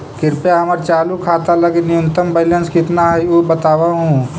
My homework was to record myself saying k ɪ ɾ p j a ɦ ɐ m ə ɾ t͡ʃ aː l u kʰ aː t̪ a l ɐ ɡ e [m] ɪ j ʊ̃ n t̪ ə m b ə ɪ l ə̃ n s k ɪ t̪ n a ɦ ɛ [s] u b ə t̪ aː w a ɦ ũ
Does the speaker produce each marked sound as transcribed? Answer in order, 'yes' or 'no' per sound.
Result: no, no

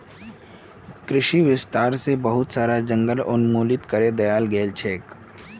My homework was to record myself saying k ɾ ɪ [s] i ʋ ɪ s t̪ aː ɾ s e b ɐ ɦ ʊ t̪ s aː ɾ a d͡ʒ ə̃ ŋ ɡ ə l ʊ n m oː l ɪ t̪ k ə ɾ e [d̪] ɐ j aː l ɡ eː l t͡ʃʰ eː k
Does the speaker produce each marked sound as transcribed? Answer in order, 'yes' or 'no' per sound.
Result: no, yes

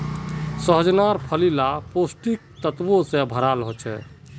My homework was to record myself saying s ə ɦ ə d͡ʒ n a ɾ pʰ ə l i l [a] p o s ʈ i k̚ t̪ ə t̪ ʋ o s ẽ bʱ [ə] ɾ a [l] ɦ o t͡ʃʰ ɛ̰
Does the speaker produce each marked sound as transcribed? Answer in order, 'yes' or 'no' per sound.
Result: yes, yes, yes

